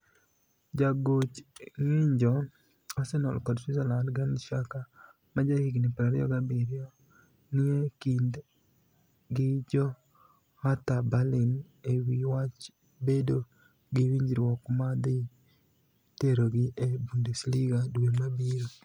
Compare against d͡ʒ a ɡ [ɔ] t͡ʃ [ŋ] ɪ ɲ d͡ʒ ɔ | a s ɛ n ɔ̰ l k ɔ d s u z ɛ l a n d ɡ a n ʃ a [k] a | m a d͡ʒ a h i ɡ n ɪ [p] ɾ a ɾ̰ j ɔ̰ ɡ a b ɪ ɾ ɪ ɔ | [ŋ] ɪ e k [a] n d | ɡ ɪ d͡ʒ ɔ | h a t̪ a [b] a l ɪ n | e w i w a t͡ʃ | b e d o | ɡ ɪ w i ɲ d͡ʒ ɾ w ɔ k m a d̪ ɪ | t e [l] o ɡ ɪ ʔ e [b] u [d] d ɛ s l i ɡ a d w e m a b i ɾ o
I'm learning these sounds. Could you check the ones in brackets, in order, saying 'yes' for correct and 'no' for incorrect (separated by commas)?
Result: no, yes, yes, yes, no, no, yes, no, yes, no